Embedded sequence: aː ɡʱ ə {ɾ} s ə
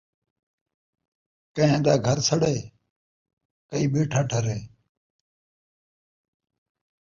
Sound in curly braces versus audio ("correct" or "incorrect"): correct